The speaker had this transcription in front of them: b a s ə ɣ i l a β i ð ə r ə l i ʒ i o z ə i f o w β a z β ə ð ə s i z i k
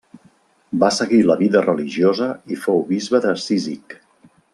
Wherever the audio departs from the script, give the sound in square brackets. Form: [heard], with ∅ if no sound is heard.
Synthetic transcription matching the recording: b a s ə ɣ i l [ə] β i ð ə r ə l i ʒ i o z ə i f o w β [i] z β ə ð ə s i z i k